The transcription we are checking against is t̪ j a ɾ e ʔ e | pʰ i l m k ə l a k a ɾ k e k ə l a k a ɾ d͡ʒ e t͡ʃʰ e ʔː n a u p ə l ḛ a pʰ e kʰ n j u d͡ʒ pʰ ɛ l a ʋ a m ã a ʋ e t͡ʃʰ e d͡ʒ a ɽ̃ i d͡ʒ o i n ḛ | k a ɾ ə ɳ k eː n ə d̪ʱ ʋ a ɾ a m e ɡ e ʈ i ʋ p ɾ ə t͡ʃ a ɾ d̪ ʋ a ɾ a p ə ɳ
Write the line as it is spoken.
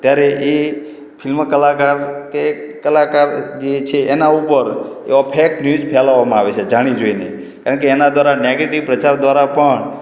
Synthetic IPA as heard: t̪ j a ɾ e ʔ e | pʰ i l m k ə l a k a ɾ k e k ə l a k a ɾ d͡ʒ e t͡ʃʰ e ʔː n a u p ə ɾ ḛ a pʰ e k n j u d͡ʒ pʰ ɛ l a ʋ a m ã a ʋ e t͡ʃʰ e d͡ʒ a ɽ̃ i d͡ʒ o i n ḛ | k a ɾ ə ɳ k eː n a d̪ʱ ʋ a ɾ a n e ɡ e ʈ i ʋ p ɾ ə t͡ʃ a ɾ d̪ ʋ a ɾ a p ə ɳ